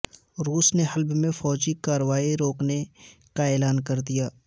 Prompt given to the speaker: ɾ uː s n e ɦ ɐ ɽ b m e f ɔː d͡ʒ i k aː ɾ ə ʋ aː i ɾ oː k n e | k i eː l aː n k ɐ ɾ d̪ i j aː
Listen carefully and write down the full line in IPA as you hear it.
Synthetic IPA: ɾ uː s n e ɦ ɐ l b m ẽ f ɔː d͡ʒ i k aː ɾ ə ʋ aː i ɾ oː k n e | k a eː l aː n k ɐ ɾ d̪ i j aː